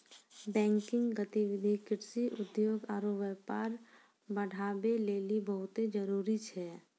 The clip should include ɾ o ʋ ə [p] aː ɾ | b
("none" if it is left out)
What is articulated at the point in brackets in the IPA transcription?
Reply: p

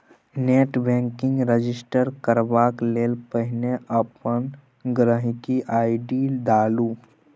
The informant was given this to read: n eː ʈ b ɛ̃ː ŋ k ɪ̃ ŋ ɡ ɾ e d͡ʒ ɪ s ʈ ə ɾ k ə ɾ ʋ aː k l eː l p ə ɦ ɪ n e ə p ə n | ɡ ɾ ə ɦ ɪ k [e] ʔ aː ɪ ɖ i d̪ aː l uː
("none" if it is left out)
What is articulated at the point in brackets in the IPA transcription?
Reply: i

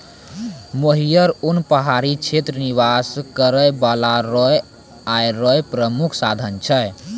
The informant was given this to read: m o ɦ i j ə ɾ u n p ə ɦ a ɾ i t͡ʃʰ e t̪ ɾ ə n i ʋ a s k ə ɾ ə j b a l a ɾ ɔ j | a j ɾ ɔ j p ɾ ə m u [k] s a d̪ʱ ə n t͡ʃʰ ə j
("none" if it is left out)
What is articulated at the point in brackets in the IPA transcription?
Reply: kʰ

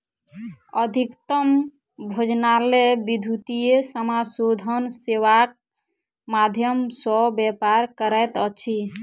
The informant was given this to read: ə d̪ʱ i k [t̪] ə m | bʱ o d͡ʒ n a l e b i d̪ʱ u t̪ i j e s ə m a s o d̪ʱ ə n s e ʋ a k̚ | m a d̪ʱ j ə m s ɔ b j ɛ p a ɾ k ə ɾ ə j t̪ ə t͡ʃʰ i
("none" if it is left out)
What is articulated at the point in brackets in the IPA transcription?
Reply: t̪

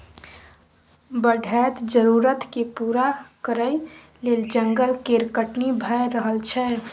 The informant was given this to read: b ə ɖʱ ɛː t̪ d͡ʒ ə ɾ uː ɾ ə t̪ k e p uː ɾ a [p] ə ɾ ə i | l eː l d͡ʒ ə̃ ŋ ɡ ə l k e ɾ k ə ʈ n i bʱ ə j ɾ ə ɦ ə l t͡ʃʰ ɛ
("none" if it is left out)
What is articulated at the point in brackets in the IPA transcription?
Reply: k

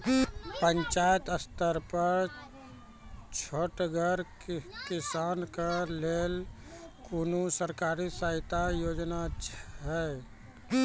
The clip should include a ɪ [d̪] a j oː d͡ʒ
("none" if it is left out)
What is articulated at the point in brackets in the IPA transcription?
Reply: t̪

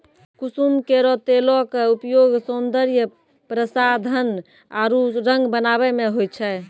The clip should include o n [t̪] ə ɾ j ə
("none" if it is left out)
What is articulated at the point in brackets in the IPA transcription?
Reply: d̪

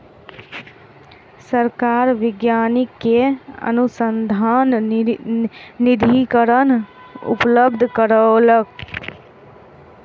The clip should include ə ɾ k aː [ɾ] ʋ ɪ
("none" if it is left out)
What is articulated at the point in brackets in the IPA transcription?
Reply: ɾ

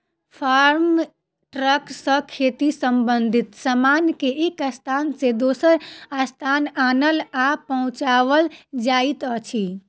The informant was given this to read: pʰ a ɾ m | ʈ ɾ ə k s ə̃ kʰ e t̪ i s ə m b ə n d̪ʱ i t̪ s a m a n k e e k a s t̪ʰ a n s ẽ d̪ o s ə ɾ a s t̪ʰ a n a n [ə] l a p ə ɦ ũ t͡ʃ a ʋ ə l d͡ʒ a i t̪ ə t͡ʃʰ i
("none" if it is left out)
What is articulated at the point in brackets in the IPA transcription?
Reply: ə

